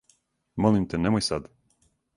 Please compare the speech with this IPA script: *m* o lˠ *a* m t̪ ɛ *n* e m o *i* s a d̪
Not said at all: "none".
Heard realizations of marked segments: m, i, n, j

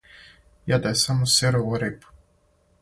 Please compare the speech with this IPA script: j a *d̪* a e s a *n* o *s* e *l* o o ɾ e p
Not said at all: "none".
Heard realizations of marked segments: d̪, m, s, ɾ

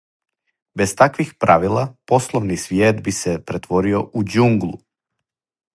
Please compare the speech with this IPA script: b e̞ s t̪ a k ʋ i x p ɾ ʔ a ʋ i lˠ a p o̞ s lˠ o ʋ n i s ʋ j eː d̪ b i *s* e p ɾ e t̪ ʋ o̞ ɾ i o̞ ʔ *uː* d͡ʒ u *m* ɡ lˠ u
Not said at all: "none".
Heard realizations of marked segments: s, u, ŋ

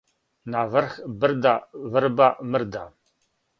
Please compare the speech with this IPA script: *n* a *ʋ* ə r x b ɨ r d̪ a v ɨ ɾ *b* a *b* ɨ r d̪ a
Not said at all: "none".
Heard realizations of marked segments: n, v, b, m

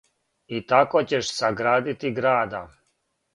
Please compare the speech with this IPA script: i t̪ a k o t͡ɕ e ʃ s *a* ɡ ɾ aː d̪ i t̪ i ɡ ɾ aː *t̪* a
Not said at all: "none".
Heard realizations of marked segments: a, d̪

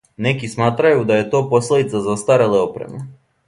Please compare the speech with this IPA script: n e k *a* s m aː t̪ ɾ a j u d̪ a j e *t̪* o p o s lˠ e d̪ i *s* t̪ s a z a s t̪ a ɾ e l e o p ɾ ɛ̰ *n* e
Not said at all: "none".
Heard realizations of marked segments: i, t̪, none, m

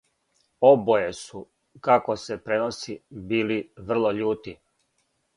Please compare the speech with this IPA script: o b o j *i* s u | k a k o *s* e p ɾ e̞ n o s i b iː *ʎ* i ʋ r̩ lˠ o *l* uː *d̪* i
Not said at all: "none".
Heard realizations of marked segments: e, s, l, ʎ, t̪

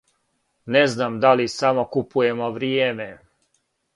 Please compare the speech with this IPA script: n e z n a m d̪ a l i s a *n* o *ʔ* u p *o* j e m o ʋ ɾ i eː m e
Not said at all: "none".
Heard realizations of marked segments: m, k, u

